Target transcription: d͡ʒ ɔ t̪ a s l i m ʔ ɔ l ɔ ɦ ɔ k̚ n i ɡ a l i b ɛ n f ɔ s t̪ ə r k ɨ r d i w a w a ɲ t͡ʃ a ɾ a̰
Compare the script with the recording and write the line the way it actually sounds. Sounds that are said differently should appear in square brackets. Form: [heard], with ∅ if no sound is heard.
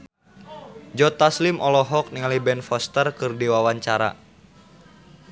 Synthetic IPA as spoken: d͡ʒ ɔ t̪ a s l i m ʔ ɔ l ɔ ɦ ɔ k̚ n i [ŋ] a l i b ɛ n f ɔ s t̪ ə r k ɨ r d i w a w a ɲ t͡ʃ a ɾ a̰